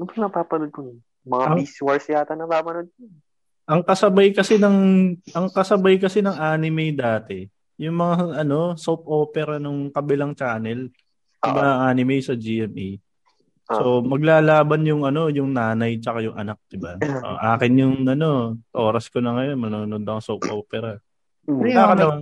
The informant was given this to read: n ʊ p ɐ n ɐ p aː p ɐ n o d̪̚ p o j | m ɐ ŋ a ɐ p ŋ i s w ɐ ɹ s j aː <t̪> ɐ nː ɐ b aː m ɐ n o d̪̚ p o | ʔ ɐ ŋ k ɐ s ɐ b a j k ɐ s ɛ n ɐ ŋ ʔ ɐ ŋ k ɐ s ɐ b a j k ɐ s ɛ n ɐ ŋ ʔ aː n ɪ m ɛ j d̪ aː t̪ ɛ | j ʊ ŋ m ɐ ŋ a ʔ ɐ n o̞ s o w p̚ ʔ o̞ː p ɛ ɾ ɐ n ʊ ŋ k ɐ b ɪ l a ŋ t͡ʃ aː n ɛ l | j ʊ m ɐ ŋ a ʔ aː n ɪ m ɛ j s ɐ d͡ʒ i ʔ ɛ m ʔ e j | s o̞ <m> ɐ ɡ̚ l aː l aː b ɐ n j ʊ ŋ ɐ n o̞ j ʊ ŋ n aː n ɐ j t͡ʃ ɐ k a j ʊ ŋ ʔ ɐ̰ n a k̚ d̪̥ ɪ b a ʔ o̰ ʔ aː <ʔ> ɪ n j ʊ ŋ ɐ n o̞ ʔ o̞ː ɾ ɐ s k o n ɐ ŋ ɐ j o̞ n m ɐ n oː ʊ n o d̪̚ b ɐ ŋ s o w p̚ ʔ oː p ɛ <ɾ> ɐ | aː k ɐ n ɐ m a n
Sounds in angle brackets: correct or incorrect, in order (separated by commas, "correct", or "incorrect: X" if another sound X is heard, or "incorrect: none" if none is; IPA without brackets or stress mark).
correct, correct, incorrect: k, correct